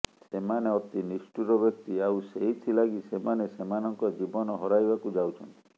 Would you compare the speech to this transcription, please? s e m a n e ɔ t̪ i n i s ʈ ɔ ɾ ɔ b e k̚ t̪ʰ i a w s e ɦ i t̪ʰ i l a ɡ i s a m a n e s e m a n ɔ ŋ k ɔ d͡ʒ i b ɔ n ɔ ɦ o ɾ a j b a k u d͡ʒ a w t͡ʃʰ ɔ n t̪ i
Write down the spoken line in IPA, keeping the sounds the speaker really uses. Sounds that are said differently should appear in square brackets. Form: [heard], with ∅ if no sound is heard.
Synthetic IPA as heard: s e m a n e ɔ t̪ i n i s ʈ [u] ɾ ɔ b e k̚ [t̪] i a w s e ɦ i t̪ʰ i l a ɡ i s [e] m a n e s e m a n ɔ ŋ k ɔ d͡ʒ i b ɔ n ɔ ɦ [ɔ] ɾ a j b a k u d͡ʒ a w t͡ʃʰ ɔ n t̪ i